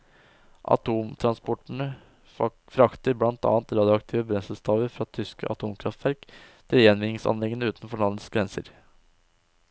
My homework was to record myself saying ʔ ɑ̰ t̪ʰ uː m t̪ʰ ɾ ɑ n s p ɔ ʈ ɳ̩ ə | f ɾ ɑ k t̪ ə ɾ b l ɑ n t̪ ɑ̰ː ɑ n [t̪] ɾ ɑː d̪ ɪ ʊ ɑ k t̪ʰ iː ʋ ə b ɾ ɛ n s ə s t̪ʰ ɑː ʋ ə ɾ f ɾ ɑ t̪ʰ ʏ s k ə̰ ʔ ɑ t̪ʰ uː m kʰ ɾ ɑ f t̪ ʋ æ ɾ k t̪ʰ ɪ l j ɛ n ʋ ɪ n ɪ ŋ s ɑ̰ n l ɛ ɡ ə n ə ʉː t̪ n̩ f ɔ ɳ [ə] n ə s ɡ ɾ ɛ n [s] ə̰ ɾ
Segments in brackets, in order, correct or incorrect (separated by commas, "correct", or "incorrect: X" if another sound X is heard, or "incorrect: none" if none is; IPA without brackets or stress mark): correct, incorrect: ɑ, correct